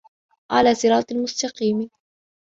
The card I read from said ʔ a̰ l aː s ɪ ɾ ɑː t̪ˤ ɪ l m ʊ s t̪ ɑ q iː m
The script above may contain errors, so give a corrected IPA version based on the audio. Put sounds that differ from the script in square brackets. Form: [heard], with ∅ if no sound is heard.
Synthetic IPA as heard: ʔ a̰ l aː s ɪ ɾ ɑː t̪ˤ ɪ l m ʊ s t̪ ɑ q iː m